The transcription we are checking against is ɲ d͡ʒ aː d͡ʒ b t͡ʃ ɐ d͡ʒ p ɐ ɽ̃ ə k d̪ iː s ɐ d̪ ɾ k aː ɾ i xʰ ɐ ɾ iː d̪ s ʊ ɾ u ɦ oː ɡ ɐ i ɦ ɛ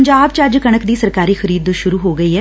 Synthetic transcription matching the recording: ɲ d͡ʒ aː b t͡ʃ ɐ d͡ʒ k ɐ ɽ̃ ə k d̪ iː s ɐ ɾ k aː ɾ i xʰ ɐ ɾ iː d̪ ʃ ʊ ɾ u ɦ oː ɡ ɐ i ɦ ɛ

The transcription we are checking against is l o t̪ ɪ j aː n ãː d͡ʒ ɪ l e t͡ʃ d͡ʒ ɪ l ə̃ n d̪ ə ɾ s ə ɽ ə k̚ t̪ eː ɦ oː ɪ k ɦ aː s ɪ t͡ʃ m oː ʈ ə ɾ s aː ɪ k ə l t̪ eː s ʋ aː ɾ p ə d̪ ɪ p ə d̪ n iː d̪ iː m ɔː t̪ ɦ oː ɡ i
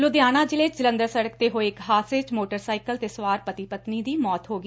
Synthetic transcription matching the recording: l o d̪ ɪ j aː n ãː d͡ʒ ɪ l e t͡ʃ d͡ʒ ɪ l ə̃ n d̪ ə ɾ s ə ɽ ə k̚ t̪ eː ɦ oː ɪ k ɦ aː s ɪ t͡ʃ m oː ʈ ə ɾ s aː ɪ k ə l t̪ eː s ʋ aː ɾ p ə t̪ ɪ p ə t̪ n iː d̪ iː m ɔː t̪ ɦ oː ɡ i

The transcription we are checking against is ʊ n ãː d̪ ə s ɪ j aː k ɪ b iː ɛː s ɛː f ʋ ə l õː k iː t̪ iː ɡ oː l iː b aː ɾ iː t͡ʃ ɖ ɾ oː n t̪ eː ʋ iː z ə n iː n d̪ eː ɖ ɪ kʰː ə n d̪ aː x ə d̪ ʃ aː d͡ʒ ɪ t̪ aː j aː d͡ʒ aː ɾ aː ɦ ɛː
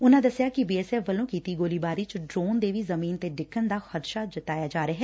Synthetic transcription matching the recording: ʊ n ãː d̪ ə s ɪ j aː k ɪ b iː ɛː s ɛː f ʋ ə l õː k iː t̪ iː ɡ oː l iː b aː ɾ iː t͡ʃ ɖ ɾ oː n d̪ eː ʋ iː z ə m iː n t̪ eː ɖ ɪ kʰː ə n d̪ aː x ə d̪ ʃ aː d͡ʒ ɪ t̪ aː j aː d͡ʒ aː ɾ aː ɦ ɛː

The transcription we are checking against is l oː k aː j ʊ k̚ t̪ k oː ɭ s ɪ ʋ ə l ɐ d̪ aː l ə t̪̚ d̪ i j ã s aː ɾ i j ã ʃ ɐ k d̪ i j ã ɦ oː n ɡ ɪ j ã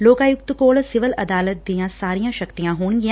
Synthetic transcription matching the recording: l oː k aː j ʊ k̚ t̪ k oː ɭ s ɪ ʋ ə l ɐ d̪ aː l ə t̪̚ d̪ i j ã s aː ɾ i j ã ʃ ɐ k t̪ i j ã ɦ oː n ɡ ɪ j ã

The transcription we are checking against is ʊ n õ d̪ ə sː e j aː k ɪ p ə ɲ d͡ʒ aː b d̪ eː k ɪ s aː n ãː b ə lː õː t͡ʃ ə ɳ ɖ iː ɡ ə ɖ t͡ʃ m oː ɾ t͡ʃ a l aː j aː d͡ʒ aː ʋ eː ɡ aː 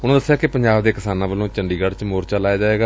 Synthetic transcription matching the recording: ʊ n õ d̪ ə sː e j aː k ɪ p ə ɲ d͡ʒ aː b d̪ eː k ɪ s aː n ãː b ə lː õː t͡ʃ ə ɳ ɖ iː ɡ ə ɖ t͡ʃ m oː ɾ t͡ʃ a l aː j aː d͡ʒ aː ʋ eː ɡ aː

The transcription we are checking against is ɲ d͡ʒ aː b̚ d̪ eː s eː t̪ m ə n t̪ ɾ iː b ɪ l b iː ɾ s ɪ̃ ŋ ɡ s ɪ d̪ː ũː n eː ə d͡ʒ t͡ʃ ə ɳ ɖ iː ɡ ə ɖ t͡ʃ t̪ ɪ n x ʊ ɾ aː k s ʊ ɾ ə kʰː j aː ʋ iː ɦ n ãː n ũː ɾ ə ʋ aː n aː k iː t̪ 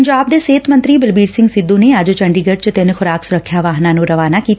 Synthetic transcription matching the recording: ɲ d͡ʒ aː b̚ d̪ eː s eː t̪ m ə n t̪ ɾ iː b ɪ l b iː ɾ s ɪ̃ ŋ ɡ s ɪ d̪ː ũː n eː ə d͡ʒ t͡ʃ ə ɳ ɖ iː ɡ ə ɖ t͡ʃ t̪ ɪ n x ʊ ɾ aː k s ʊ ɾ ə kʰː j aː ʋ aː ɦ n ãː n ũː ɾ ə ʋ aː n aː k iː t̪

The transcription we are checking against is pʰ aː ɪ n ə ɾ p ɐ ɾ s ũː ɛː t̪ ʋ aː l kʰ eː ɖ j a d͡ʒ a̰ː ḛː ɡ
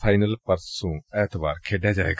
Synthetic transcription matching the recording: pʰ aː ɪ n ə l p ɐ ɾ s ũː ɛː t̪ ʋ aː ɾ kʰ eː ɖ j a d͡ʒ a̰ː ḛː ɡ

